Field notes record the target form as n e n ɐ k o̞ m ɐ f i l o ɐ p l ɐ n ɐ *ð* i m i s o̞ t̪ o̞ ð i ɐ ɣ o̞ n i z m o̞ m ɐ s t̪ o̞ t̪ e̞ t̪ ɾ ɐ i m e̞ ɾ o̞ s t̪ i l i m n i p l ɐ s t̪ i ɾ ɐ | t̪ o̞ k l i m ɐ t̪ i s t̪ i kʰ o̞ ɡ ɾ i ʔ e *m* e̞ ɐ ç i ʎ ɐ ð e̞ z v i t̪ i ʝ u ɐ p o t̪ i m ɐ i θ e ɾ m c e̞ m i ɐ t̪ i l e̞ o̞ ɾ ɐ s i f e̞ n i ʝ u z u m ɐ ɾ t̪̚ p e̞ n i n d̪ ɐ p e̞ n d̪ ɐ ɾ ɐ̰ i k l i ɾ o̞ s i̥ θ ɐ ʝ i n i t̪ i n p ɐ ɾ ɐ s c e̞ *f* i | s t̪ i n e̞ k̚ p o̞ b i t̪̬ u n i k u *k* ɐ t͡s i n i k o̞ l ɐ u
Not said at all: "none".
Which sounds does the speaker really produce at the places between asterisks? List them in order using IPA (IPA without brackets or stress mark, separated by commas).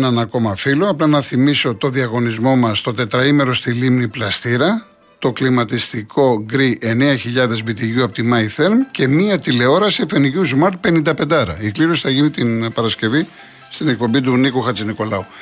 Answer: θ, n, v, x